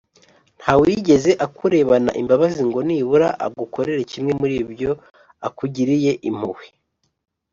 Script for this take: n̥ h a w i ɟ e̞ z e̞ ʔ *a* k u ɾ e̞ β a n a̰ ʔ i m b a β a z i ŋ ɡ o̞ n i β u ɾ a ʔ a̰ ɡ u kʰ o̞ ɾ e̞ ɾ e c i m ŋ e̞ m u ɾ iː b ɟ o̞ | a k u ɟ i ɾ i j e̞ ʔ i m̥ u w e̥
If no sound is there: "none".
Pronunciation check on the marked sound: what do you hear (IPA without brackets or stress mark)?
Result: a